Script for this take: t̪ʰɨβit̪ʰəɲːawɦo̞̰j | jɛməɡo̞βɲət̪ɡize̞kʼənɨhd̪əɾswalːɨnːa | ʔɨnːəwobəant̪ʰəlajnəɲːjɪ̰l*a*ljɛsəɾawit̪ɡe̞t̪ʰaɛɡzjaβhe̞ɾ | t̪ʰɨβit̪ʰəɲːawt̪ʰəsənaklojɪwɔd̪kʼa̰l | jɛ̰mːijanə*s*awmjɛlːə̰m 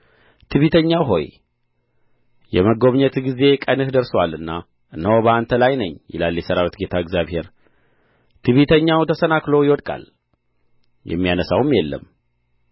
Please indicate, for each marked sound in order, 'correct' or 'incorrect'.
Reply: correct, correct

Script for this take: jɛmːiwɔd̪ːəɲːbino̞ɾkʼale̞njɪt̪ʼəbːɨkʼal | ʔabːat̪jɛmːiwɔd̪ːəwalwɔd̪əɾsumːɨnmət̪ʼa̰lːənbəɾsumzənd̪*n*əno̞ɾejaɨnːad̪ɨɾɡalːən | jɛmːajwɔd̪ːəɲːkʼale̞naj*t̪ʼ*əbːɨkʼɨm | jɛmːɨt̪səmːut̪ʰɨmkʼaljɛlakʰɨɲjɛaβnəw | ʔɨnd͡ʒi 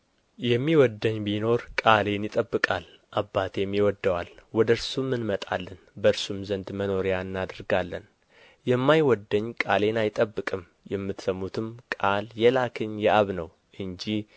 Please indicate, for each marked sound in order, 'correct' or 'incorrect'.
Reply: incorrect, correct

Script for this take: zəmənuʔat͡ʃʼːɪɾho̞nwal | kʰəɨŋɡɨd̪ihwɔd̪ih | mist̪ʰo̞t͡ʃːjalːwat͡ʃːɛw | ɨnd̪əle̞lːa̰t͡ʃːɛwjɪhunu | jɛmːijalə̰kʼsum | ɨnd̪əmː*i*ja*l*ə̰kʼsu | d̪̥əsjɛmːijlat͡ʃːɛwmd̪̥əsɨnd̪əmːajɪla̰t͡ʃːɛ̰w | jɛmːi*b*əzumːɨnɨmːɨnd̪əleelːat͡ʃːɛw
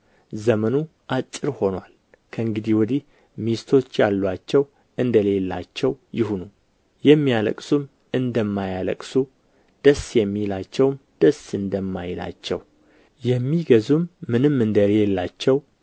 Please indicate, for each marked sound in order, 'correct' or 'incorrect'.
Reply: incorrect, correct, incorrect

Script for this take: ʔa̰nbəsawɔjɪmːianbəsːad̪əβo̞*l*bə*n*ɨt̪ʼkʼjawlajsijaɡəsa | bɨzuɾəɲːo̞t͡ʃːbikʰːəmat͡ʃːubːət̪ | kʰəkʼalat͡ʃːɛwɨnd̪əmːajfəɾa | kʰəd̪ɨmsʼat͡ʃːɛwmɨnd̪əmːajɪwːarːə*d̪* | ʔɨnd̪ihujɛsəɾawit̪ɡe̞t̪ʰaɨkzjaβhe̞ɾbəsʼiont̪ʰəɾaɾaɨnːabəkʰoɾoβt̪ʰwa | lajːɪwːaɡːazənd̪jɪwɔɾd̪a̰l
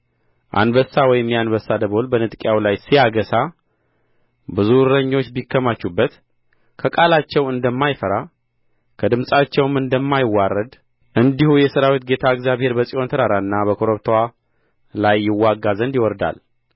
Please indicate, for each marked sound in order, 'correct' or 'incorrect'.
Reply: correct, correct, correct

